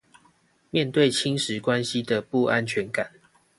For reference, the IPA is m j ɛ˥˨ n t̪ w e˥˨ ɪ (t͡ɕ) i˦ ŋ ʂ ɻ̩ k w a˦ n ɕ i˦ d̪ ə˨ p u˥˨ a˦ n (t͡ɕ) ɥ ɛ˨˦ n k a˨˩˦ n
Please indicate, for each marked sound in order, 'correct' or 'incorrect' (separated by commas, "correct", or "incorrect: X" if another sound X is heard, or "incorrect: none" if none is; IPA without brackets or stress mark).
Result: incorrect: t͡ɕʰ, incorrect: t͡ɕʰ